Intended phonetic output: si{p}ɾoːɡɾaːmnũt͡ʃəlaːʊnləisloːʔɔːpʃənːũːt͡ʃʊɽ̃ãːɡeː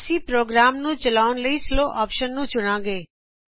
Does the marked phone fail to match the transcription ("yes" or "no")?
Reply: no